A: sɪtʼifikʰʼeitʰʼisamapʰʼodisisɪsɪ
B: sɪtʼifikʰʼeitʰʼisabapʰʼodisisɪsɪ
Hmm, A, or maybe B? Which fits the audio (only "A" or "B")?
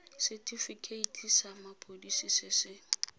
A